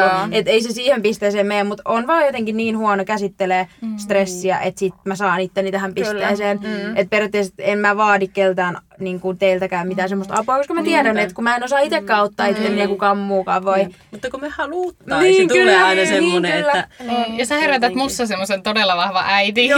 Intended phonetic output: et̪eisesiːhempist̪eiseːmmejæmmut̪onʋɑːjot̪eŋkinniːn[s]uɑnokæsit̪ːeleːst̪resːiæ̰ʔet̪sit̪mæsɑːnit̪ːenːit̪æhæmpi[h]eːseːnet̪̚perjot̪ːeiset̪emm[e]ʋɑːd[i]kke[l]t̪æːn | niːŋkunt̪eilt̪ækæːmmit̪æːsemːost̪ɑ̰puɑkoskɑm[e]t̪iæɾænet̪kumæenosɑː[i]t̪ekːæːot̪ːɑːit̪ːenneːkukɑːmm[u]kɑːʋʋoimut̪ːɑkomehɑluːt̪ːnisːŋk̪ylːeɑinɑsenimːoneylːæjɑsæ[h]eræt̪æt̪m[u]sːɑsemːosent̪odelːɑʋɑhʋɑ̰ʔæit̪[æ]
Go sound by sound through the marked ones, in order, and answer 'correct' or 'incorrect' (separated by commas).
incorrect, incorrect, incorrect, correct, correct, incorrect, correct, incorrect, correct, correct, incorrect